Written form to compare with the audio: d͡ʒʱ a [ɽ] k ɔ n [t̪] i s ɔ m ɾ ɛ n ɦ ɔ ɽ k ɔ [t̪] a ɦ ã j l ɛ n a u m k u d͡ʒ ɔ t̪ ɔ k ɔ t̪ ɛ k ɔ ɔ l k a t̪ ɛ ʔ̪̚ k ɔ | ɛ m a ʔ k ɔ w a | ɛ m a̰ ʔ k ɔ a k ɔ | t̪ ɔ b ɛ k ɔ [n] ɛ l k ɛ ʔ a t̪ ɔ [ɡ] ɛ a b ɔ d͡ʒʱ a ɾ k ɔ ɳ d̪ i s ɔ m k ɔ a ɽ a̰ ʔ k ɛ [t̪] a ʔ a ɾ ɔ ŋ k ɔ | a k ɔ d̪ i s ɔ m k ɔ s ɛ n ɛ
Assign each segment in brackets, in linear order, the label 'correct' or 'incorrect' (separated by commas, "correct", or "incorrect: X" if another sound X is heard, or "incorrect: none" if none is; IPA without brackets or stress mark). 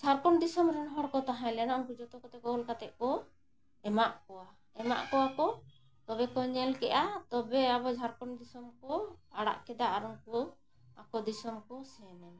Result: incorrect: ɾ, incorrect: d̪, correct, incorrect: ɲ, incorrect: b, incorrect: d̪